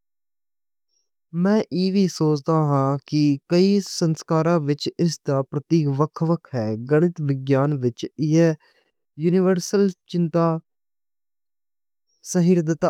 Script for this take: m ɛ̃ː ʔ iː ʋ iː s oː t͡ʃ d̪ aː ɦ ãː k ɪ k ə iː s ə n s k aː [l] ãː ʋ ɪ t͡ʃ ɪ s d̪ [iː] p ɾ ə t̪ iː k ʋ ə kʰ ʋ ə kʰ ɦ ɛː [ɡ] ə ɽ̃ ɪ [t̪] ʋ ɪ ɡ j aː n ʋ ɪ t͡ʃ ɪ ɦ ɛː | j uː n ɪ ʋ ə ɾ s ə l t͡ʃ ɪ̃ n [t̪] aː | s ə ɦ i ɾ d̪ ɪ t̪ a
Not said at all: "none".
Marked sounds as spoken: ɾ, aː, ɡ, t̪, t̪

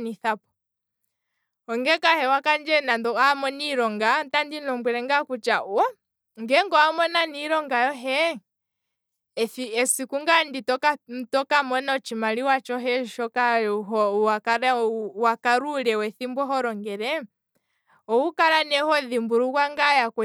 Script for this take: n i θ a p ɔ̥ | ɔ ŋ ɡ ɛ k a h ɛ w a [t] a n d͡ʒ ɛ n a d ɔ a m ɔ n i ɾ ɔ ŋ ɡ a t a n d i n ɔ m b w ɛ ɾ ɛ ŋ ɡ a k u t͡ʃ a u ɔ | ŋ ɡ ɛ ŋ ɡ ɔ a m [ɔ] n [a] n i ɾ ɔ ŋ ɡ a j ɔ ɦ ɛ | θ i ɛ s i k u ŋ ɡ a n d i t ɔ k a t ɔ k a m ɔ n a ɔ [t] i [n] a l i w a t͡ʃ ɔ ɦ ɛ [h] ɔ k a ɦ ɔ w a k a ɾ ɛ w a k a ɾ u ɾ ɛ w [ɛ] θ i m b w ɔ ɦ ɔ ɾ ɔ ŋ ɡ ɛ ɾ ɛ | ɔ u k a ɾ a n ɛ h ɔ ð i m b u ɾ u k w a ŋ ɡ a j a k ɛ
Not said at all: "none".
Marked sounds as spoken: k, ɔ, a, t͡ʃ, m, ʃ, ɛ

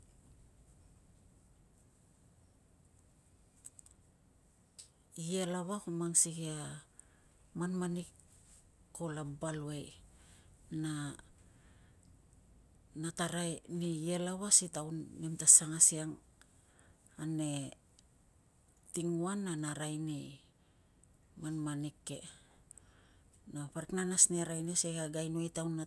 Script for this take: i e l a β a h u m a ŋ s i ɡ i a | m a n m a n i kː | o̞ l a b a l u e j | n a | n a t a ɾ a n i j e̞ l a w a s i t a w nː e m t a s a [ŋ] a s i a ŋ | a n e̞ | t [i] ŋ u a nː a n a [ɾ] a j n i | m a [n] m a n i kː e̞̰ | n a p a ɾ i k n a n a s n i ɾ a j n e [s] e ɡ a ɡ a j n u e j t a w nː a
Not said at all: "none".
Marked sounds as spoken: ŋ, i, ɾ, n, s

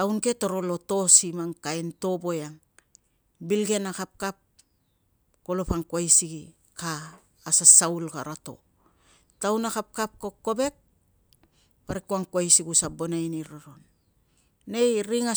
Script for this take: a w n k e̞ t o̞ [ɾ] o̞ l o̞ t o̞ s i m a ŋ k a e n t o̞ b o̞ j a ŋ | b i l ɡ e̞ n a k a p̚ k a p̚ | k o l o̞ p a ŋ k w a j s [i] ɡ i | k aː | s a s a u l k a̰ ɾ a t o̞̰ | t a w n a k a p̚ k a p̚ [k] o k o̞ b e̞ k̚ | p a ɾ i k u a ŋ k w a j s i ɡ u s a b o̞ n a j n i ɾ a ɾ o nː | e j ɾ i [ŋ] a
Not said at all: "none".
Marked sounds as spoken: ɾ, i, k, ŋ

